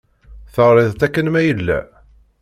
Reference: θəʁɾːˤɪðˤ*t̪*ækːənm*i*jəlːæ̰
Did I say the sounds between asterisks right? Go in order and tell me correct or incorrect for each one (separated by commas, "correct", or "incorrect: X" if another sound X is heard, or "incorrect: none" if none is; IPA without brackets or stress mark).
correct, incorrect: æ